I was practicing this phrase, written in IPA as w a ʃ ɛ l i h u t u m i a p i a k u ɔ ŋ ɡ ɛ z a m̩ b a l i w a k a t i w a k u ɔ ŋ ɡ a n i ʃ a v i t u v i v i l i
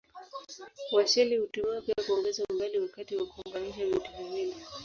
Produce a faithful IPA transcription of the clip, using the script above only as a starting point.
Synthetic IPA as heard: w a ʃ ɛ l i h u t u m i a p i a k u ɔ ŋ ɡ ɛ z a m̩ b a l i w a k a t i w a k u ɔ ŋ ɡ a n i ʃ a v i t u v i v i l i